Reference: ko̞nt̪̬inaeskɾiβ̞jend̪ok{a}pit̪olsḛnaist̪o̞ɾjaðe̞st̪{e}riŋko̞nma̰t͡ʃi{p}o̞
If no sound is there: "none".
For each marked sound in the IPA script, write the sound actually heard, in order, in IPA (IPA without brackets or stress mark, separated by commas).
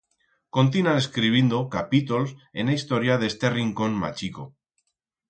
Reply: a, e, k